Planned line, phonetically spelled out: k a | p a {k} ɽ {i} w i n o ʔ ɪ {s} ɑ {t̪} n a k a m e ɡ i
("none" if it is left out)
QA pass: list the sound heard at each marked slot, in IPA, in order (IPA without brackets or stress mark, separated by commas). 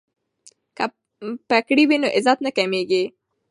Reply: k, i, z, t̪